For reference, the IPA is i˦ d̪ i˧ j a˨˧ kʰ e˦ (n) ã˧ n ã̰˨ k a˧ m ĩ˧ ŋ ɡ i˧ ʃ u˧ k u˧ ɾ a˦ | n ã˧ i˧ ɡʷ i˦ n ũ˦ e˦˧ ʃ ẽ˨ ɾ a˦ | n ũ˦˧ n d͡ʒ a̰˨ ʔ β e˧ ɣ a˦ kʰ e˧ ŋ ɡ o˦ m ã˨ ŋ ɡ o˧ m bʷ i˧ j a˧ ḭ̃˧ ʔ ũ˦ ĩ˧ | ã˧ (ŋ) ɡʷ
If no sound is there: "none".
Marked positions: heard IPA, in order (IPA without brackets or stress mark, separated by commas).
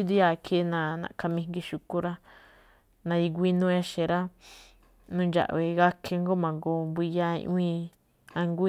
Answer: n, ŋ